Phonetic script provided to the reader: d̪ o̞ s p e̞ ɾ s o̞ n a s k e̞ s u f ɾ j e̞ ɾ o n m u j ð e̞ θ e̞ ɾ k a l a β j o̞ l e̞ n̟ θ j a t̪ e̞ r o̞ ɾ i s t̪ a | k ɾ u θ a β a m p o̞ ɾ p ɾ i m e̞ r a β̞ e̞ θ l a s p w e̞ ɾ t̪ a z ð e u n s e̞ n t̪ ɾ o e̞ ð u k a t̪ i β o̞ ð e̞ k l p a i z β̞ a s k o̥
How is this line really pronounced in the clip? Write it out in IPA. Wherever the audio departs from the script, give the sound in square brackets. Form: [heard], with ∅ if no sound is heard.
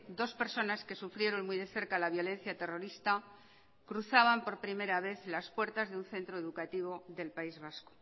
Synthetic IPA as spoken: d̪ o̞ s p e̞ ɾ s o̞ n a s k e̞ s u f ɾ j e̞ ɾ o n m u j ð e̞ θ e̞ ɾ k a l a β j o̞ l e̞ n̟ θ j a t̪ e̞ r o̞ ɾ i s t̪ a | k ɾ u θ a β a m p o̞ ɾ p ɾ i m e̞ [ɾ] a β̞ e̞ θ l a s p w e̞ ɾ t̪ a z ð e u n [θ] e̞ n t̪ ɾ o e̞ ð u k a t̪ i β o̞ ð e̞ [∅] l p a i z β̞ a s k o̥